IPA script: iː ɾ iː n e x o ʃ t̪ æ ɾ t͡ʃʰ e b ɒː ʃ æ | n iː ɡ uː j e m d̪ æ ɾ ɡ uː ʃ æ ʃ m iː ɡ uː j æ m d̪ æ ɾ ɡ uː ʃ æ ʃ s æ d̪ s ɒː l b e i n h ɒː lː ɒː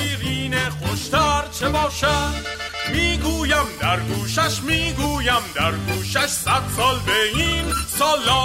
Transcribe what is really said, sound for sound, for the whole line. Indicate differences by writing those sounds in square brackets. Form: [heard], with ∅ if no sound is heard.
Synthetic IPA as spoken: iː ɾ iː n e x o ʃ t̪ æ ɾ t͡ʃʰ e b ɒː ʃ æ | [m] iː ɡ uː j [æ] m d̪ æ ɾ ɡ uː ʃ æ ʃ m iː ɡ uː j æ m d̪ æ ɾ ɡ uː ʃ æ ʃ s æ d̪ s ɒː l b e i n [s] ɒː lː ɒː